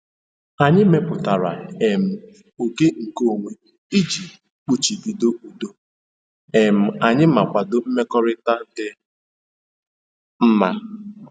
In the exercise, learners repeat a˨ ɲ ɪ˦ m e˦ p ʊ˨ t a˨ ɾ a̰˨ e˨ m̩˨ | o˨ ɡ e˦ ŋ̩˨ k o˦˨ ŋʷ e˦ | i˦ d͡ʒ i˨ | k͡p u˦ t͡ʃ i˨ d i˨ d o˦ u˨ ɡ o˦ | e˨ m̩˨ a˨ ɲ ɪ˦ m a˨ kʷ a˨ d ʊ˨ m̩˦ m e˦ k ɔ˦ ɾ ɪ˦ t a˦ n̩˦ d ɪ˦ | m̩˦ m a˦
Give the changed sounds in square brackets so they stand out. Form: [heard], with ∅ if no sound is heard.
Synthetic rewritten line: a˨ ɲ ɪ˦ m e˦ p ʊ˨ t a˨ ɾ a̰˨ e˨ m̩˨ | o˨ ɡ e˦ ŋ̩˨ k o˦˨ ŋʷ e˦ | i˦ d͡ʒ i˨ | k͡p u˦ t͡ʃ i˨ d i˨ d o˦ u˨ [d] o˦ | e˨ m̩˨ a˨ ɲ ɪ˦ m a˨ kʷ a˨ d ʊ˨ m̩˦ m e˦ k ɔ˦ ɾ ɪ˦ t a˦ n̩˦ d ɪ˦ | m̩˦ m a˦

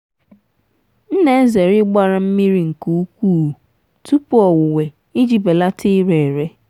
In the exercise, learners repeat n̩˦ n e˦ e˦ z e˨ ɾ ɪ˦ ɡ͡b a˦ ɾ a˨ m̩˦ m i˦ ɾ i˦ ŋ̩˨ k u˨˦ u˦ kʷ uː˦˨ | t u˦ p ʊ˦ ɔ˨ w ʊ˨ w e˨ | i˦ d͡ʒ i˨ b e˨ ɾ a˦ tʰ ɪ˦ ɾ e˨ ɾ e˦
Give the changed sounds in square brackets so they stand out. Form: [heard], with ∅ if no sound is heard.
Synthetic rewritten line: n̩˦ n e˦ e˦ z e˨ ɾ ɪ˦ ɡ͡b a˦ ɾ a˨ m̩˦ m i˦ ɾ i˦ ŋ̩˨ k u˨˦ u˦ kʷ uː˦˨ | t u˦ p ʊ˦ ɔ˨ w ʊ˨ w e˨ | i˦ d͡ʒ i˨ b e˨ [l] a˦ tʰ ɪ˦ ɾ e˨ ɾ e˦

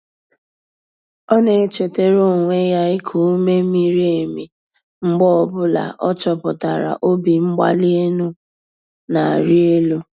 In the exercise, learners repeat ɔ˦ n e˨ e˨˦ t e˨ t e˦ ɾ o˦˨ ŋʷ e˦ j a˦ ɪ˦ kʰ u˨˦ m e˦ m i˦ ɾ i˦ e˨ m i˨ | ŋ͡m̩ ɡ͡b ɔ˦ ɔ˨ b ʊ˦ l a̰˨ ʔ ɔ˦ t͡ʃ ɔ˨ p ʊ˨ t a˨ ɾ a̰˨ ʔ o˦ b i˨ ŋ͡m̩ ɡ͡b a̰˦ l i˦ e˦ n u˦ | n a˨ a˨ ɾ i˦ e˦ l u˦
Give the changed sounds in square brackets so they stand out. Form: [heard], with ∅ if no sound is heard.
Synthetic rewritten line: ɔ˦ n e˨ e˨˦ [t͡ʃ] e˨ t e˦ ɾ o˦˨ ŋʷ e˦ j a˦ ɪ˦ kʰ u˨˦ m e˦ m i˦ ɾ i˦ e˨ m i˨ | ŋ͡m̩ ɡ͡b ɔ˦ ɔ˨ b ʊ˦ l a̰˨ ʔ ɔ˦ t͡ʃ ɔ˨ p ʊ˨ t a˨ ɾ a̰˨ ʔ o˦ b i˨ ŋ͡m̩ ɡ͡b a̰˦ l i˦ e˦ n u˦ | n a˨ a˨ ɾ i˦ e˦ l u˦

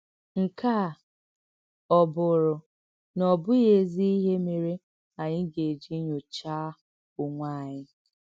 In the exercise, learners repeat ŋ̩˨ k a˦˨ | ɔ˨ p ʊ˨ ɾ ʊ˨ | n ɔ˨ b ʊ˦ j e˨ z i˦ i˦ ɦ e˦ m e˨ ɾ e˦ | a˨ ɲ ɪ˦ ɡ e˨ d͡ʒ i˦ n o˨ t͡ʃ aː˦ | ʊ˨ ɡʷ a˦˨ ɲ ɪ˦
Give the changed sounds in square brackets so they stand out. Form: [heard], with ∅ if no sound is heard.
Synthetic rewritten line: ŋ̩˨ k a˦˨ | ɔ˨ [b] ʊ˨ ɾ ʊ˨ | n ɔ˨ b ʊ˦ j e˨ z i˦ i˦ ɦ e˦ m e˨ ɾ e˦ | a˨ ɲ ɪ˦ ɡ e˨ d͡ʒ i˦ [ɲ] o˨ t͡ʃ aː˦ | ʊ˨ [ŋʷ] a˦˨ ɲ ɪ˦

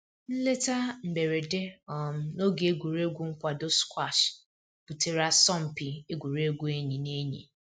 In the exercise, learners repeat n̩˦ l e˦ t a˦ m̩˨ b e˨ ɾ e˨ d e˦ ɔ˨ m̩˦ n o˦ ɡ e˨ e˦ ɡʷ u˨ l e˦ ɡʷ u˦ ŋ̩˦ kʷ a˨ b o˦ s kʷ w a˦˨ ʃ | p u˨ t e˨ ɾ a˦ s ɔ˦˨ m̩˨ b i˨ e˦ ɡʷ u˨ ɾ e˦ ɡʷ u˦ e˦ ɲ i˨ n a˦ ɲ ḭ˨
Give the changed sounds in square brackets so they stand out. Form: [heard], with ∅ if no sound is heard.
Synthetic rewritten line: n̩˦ l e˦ t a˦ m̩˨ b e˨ ɾ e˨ d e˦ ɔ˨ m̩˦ n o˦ ɡ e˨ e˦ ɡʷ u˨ [ɾ] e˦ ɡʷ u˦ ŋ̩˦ kʷ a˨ [d] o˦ s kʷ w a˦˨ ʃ | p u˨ t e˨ ɾ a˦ s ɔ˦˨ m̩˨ [p] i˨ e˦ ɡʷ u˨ ɾ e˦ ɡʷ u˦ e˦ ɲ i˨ n [e˦] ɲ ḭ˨

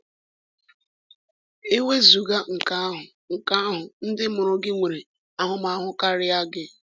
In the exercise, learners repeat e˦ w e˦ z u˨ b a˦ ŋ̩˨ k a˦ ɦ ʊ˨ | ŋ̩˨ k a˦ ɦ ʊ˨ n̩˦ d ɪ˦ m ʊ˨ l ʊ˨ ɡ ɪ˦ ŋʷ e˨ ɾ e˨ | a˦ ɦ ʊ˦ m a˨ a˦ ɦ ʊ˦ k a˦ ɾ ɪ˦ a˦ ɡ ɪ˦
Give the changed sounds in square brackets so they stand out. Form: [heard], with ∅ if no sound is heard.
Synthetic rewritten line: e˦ w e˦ z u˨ [ɡ] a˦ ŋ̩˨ k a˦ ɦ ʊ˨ | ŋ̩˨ k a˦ ɦ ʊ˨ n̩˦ d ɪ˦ m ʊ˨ [ɾ] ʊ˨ ɡ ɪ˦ ŋʷ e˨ ɾ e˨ | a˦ ɦ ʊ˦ m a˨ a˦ ɦ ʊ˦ k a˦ ɾ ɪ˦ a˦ ɡ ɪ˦

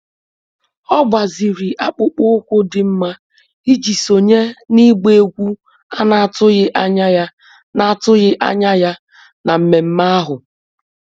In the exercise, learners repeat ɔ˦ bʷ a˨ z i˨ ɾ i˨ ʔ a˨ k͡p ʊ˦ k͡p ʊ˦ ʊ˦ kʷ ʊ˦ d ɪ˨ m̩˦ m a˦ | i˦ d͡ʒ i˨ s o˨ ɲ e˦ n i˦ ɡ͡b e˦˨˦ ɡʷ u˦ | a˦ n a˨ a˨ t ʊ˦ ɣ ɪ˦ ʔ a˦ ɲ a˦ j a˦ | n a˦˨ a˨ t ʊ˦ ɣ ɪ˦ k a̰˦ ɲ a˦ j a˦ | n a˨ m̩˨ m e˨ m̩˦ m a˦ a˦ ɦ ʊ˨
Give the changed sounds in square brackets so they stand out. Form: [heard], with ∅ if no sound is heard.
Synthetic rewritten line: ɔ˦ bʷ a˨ z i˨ ɾ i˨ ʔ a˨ k͡p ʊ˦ k͡p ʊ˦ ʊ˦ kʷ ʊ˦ d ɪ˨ m̩˦ m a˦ | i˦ d͡ʒ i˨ s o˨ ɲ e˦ n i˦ ɡ͡b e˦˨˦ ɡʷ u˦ | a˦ n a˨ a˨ t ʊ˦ ɣ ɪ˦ ʔ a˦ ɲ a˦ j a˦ | n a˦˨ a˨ t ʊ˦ ɣ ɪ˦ [ʔ] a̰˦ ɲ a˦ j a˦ | n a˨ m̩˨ m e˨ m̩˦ m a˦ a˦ ɦ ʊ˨

